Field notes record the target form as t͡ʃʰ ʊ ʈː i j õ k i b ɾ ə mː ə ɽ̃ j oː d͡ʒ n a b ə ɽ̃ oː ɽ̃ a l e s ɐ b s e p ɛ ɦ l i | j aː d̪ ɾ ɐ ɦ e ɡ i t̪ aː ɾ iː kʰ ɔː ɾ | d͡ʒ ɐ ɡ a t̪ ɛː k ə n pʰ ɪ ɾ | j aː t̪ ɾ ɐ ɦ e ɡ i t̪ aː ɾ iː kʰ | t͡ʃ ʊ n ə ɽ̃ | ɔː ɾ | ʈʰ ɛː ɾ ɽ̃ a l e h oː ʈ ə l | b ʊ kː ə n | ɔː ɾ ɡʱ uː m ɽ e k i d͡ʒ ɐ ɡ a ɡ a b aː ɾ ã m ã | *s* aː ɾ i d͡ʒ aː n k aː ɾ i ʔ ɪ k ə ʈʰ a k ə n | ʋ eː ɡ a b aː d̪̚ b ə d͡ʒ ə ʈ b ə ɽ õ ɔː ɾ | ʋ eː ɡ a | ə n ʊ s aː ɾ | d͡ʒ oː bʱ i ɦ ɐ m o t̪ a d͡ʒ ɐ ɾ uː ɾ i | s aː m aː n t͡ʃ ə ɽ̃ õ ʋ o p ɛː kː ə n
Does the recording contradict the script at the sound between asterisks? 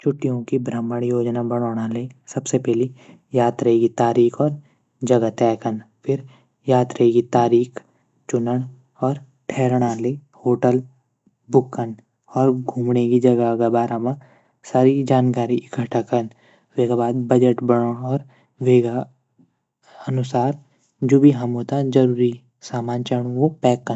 no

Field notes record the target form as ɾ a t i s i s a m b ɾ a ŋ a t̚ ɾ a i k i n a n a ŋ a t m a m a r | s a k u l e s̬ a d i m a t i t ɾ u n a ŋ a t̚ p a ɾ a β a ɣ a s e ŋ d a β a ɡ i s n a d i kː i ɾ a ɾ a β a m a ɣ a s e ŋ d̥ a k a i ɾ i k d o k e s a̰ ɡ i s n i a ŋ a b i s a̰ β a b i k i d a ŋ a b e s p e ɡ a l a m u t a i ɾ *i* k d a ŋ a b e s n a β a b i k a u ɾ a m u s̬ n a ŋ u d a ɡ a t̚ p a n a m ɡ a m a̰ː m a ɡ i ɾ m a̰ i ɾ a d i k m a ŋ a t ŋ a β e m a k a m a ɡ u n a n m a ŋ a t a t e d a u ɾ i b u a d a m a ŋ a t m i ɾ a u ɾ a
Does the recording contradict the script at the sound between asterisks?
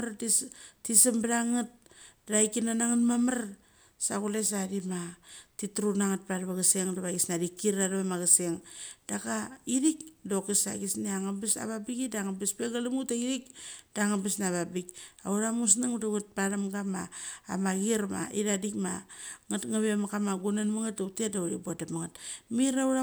no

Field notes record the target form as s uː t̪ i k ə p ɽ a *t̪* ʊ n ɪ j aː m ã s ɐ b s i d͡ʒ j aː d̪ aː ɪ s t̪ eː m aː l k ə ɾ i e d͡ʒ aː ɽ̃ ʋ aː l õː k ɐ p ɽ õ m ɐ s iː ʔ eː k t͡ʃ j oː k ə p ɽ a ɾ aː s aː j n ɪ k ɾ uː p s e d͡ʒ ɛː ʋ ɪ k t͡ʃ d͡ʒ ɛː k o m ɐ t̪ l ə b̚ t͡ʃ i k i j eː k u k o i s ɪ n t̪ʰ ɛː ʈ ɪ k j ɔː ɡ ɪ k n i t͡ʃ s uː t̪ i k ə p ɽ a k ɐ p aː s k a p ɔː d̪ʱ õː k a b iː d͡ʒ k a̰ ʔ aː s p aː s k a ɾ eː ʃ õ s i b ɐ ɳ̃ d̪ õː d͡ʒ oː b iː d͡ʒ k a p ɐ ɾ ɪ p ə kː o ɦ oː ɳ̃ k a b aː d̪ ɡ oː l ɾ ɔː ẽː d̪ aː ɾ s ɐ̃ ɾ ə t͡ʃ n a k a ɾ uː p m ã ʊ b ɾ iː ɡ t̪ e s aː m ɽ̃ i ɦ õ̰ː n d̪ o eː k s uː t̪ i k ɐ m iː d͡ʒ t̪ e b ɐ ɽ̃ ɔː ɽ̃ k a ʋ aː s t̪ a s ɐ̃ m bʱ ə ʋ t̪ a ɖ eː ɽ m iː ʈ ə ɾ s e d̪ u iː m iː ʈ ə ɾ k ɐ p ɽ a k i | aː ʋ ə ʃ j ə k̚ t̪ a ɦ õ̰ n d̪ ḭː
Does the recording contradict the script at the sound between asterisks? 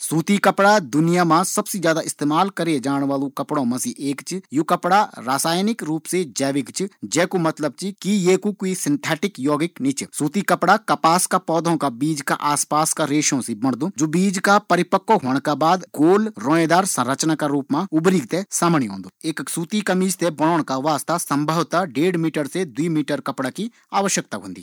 yes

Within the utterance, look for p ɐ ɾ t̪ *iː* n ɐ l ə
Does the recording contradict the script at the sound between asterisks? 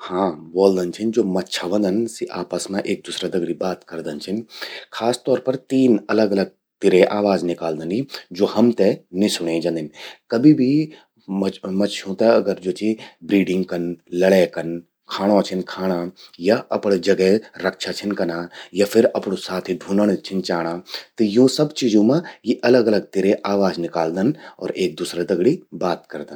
no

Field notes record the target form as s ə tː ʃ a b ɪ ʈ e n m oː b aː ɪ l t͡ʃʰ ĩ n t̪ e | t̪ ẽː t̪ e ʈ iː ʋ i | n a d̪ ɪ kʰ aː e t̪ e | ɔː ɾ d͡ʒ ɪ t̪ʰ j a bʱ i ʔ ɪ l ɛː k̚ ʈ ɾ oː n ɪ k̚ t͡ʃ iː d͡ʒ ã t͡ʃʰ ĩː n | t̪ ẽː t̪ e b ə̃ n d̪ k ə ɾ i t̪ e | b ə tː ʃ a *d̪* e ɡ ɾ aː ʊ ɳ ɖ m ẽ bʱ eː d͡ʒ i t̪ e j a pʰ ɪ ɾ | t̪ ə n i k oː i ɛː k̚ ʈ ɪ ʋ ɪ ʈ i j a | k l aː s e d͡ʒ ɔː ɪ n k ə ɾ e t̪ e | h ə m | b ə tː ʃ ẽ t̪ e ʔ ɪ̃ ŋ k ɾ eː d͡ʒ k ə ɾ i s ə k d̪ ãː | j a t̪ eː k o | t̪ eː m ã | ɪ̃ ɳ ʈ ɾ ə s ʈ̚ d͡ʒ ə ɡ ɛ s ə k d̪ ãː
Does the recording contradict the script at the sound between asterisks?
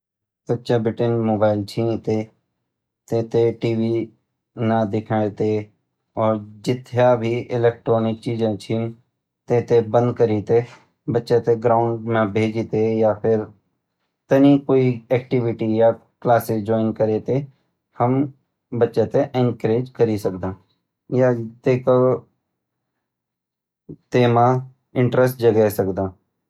yes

